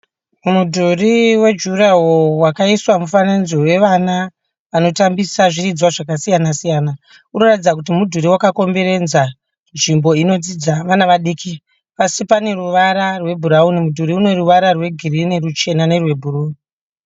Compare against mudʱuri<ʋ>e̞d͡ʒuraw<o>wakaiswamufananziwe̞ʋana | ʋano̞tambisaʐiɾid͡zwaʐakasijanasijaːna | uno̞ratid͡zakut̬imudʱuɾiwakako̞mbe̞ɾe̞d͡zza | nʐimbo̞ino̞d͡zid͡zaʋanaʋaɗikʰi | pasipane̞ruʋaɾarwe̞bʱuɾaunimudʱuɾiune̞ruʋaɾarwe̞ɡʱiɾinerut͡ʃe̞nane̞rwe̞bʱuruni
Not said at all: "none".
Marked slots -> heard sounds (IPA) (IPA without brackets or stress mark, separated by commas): w, o